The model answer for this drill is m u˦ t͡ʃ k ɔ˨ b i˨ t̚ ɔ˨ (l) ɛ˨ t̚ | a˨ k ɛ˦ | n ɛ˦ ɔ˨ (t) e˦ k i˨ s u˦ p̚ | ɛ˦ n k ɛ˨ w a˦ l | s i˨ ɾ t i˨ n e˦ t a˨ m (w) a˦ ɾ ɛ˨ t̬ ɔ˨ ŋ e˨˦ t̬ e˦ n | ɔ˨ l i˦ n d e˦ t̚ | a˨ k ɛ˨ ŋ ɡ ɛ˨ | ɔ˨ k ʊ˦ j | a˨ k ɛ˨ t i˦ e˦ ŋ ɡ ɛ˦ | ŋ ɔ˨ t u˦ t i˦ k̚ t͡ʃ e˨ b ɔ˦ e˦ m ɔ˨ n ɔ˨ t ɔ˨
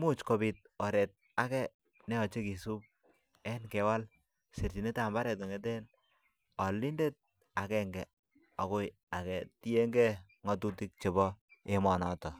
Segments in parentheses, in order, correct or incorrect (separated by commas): incorrect, incorrect, incorrect